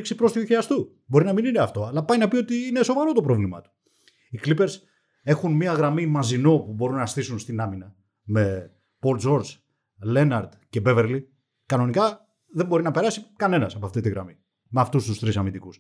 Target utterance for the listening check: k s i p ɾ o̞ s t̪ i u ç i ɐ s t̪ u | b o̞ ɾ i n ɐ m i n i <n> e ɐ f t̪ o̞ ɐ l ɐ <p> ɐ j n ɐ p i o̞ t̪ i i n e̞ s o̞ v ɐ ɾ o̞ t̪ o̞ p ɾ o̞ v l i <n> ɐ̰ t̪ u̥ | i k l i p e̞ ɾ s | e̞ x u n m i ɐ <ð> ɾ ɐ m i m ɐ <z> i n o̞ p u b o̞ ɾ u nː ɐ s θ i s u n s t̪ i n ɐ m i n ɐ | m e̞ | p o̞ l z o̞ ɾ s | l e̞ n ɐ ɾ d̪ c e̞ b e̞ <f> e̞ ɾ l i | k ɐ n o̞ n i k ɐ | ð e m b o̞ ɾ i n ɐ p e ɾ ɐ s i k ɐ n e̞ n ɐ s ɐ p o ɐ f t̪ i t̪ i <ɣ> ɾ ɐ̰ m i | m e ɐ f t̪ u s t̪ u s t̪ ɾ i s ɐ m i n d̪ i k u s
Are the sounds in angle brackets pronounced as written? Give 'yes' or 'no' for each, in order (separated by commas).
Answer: yes, yes, no, no, yes, no, yes